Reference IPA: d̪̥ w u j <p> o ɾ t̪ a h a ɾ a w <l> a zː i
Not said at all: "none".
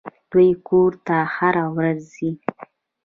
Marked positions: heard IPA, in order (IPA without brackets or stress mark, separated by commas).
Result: k, ɾ